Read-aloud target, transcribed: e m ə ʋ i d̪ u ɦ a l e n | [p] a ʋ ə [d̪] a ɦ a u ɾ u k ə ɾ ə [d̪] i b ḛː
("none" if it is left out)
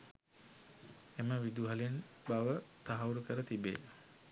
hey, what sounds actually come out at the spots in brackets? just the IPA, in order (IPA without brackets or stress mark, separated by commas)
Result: b, t̪, t̪